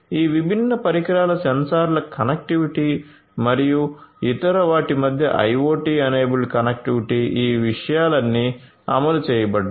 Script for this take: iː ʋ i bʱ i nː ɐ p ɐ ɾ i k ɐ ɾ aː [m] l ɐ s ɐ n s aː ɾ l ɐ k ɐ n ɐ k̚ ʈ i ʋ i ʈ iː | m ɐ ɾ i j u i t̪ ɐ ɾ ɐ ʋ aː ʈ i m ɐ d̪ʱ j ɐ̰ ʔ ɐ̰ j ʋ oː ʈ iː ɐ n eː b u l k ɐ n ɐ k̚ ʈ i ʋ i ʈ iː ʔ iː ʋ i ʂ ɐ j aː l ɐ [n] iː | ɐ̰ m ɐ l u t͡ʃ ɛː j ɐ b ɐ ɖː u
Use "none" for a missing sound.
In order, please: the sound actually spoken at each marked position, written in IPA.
none, nː

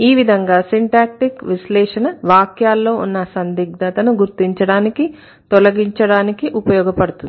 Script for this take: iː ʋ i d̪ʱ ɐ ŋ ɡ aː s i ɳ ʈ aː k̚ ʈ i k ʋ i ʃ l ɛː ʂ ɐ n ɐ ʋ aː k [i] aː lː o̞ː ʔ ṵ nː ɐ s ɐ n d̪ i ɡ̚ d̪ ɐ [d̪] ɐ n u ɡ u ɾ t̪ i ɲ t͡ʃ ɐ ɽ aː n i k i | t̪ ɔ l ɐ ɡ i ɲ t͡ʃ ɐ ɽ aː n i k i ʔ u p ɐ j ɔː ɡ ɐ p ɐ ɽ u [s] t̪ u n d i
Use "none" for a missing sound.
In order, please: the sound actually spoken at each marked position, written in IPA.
j, t̪, none

